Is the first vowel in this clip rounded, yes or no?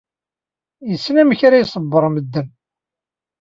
no